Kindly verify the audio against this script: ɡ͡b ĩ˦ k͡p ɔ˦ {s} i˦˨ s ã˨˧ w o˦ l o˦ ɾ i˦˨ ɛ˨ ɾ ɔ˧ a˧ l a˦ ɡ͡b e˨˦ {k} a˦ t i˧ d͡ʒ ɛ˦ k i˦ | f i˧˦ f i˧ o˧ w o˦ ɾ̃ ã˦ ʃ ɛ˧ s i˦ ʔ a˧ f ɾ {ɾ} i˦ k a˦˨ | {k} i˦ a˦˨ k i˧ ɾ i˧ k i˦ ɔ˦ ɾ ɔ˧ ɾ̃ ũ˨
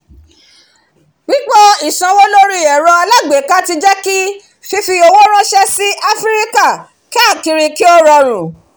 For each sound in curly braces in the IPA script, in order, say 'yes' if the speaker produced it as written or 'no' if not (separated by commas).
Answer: no, yes, yes, yes